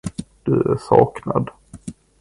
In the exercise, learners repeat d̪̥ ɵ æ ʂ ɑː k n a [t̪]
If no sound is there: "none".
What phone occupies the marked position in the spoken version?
d̪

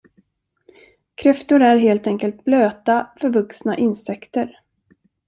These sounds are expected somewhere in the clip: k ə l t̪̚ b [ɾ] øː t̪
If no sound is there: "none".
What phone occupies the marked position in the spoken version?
l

